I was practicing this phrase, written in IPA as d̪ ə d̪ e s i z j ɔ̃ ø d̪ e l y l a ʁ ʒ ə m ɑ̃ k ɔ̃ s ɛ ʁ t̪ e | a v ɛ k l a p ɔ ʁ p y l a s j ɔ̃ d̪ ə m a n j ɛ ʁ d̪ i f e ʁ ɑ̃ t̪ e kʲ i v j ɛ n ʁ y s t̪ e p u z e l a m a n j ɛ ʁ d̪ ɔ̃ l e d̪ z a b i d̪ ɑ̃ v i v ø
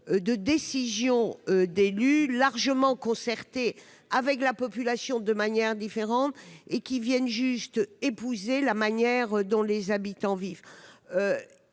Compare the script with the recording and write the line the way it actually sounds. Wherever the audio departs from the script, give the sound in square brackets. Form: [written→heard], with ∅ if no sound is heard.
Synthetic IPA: d̪ ə d̪ e s i z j ɔ̃ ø d̪ e l y l a ʁ ʒ ə m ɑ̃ k ɔ̃ s ɛ ʁ t̪ e | a v ɛ k l a p ɔ [ʁ→∅] p y l a s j ɔ̃ d̪ ə m a n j ɛ ʁ d̪ i f e ʁ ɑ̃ t̪ e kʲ i v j ɛ n [ʁ→ʒ] y s t̪ e p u z e l a m a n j ɛ ʁ d̪ ɔ̃ l e [d̪→∅] z a b i [d̪→t̪] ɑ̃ v i v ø